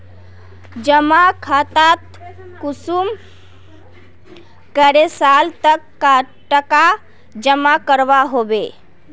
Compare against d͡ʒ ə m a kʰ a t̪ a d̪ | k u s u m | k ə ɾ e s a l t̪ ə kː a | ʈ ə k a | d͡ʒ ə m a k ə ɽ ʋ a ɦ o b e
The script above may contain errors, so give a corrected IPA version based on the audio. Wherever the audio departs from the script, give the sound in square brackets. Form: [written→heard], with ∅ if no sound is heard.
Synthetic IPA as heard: d͡ʒ ə m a kʰ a t̪ a [d̪→t̪] | k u s u m | k ə ɾ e s a l t̪ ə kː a | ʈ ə k a | d͡ʒ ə m a k ə [ɽ→ɾ] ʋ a ɦ o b e